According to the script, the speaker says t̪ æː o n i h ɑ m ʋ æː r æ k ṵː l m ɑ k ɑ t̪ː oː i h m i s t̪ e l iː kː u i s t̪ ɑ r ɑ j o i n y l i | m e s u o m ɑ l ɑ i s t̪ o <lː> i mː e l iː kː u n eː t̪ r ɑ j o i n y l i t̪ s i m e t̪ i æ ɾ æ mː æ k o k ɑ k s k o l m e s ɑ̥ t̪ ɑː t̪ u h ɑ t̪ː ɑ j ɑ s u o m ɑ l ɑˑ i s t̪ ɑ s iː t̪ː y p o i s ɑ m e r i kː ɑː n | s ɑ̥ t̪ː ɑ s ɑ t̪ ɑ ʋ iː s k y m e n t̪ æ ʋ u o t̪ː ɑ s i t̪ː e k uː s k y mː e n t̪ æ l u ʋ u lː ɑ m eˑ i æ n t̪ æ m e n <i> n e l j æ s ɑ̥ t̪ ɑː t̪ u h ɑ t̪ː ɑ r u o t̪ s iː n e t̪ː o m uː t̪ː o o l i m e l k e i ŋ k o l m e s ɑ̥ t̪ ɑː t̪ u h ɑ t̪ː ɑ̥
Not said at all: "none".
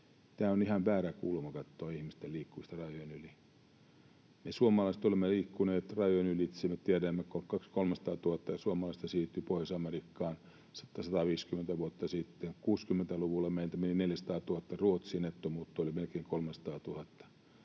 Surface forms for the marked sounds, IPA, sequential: l, i

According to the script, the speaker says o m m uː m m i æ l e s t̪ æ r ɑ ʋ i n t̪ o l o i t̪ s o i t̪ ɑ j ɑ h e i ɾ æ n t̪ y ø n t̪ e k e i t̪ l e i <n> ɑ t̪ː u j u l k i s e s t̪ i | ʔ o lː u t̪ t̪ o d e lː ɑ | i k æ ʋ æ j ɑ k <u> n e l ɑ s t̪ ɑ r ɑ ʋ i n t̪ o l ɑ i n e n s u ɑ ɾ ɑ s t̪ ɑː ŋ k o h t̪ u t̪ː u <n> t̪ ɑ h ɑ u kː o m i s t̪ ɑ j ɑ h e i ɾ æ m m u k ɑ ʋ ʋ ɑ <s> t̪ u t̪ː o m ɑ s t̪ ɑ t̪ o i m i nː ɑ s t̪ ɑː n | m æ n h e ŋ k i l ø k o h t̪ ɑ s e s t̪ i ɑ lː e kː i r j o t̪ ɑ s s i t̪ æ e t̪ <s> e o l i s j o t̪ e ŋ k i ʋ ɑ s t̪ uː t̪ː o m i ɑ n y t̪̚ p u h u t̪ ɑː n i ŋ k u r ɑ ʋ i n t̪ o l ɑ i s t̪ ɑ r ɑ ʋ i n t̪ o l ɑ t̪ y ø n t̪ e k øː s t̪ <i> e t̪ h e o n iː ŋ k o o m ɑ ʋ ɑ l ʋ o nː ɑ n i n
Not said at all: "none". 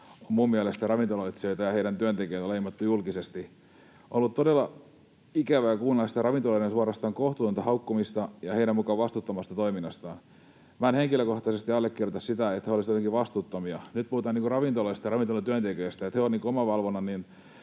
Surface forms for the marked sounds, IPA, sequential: m, uː, n, s, h, æ

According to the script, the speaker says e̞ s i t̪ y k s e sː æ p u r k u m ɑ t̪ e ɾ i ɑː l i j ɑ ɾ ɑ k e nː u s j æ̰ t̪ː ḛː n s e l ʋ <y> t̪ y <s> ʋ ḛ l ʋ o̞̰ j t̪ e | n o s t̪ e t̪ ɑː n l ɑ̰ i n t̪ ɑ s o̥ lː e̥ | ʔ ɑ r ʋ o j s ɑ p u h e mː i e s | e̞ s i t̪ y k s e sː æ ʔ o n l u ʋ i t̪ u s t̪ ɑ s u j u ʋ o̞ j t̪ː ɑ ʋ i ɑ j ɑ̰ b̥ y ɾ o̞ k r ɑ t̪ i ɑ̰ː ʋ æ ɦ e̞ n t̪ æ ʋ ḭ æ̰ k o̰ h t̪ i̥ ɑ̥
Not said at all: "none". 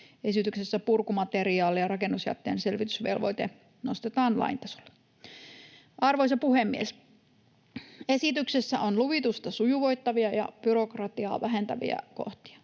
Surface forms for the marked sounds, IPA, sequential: i, s

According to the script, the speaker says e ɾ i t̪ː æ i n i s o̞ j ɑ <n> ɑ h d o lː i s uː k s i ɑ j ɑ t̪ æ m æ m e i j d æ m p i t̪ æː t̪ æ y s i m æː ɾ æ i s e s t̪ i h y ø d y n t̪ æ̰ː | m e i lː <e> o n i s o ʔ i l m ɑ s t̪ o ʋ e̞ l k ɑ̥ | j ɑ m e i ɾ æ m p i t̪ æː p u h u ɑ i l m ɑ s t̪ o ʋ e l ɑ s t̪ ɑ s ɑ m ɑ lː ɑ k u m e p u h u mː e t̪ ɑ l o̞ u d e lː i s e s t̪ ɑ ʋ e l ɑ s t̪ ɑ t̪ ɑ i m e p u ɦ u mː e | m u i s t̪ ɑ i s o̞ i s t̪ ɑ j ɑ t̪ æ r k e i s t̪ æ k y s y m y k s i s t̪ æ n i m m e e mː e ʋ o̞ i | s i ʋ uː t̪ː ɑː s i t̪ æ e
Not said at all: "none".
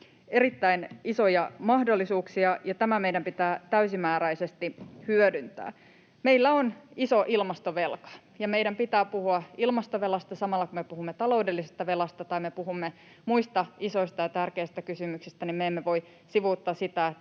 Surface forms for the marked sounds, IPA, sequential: m, æ

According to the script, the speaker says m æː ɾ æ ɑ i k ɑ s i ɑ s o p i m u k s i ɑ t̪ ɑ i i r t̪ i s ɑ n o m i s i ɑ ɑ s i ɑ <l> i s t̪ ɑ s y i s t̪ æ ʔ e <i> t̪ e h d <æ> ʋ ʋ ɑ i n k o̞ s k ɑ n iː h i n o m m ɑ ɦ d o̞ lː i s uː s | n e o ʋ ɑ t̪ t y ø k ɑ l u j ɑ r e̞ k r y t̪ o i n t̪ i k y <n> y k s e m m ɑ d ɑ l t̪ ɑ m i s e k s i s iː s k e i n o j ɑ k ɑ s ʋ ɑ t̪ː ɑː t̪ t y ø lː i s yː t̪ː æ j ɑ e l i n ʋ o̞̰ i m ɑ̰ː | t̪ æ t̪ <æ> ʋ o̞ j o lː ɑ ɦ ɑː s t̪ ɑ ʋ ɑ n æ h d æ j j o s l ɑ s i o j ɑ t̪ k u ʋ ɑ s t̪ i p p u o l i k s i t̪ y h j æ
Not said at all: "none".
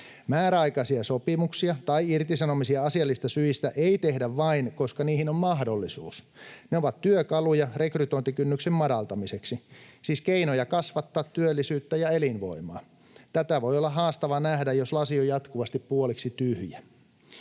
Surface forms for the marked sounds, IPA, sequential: lː, i, æ, nː, æ

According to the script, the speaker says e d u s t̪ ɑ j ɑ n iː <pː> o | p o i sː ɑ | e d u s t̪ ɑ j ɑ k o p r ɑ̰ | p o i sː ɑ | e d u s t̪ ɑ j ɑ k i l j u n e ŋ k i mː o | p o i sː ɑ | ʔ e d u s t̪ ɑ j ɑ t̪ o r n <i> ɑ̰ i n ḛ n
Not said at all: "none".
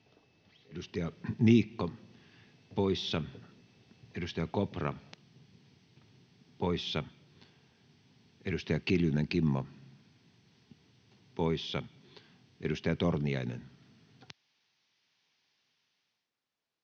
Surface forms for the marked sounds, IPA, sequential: kː, i

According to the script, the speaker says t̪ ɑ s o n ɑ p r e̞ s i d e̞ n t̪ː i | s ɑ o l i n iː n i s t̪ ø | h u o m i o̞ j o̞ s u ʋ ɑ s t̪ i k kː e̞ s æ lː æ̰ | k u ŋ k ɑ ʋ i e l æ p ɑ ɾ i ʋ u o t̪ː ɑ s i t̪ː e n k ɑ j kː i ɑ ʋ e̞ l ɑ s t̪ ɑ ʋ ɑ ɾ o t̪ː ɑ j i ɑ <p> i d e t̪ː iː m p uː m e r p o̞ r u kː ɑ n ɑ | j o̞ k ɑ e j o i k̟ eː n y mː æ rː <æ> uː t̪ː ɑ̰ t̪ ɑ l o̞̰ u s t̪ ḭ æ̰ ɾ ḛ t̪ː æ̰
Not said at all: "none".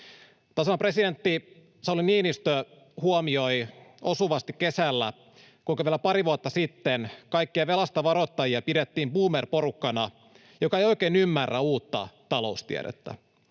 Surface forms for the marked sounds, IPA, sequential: p, æ

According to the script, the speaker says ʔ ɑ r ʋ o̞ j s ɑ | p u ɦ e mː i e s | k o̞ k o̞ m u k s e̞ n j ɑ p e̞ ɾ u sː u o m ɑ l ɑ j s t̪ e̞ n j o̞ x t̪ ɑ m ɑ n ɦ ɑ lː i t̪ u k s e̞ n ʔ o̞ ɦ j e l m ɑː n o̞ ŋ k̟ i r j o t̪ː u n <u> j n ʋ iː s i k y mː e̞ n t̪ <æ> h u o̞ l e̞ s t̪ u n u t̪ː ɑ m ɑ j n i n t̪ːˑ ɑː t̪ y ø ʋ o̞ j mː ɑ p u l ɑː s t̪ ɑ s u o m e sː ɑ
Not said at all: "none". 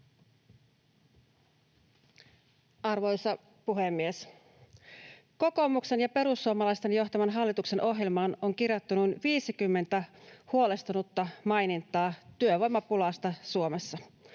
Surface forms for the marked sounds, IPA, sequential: u, æ

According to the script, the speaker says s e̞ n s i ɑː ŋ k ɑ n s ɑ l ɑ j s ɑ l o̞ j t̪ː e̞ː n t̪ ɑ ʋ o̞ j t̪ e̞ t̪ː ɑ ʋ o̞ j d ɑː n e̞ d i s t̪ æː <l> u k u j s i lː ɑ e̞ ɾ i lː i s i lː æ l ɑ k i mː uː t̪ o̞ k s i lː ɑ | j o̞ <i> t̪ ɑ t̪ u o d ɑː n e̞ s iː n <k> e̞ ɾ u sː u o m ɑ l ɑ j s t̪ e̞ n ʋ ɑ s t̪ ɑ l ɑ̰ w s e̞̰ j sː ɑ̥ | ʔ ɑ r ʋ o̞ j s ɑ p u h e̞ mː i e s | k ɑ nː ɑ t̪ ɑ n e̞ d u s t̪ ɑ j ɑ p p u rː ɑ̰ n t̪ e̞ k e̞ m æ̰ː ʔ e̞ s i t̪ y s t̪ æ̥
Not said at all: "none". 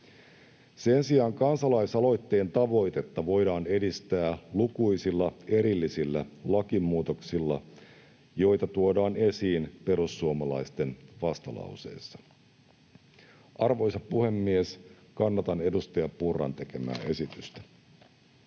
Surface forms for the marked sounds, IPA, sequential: l, j, p

